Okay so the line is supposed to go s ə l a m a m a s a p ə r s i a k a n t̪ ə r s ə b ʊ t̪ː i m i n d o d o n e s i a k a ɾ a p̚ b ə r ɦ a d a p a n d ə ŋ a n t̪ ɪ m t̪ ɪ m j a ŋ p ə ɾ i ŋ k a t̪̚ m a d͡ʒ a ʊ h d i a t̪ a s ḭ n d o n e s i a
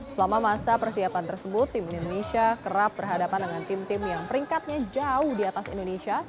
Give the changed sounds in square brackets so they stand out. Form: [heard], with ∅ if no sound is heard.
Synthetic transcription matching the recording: s ə l a m a m a s a p ə r s i a [p] a n t̪ ə r s ə b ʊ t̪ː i m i n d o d o n e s i a k [ə] ɾ a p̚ b ə r ɦ a d a p a n d ə ŋ a n t̪ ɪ m t̪ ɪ m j a ŋ p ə ɾ i ŋ k a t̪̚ [ɲ] a d͡ʒ a ʊ h d i a t̪ a s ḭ n d o n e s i a